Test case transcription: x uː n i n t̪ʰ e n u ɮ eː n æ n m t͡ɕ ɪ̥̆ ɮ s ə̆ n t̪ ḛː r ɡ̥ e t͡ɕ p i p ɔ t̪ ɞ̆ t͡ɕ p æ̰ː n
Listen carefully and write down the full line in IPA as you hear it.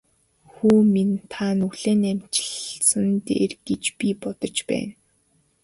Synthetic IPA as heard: x uː m i n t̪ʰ a n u ɮ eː n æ m t͡ɕ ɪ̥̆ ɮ s ə̆ n t̪ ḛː r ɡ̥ e t͡ɕ p i p ɔ t̪ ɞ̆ t͡ɕ p æ̰ː n